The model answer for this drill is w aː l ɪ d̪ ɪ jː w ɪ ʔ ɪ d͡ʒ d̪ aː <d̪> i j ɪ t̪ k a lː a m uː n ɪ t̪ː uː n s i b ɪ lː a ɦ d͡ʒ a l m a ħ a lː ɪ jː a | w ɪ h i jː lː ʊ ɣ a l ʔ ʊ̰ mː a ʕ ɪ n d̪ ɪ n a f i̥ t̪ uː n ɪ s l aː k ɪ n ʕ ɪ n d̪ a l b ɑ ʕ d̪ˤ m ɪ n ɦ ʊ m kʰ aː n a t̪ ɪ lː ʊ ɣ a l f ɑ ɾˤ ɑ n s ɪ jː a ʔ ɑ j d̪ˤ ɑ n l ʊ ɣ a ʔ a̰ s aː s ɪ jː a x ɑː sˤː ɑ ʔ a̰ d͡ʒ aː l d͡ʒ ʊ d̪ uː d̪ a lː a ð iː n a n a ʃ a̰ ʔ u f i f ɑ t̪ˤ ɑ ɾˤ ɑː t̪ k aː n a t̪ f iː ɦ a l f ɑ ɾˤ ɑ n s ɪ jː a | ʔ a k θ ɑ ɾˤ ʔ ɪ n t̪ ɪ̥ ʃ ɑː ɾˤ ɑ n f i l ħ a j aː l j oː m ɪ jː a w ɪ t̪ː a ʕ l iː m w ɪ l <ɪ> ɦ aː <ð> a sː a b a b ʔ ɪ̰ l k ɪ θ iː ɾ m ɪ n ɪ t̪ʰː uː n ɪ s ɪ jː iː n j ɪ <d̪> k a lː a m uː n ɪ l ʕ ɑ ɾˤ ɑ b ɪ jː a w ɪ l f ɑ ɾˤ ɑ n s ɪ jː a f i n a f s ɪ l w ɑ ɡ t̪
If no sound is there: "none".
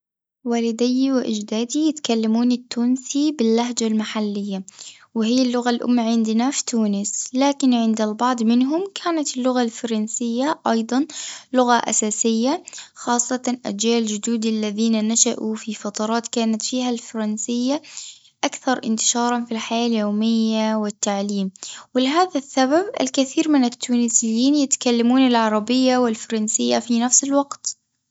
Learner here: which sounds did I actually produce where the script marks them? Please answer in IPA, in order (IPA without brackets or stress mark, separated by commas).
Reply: d̪, ɪ, ð, t̪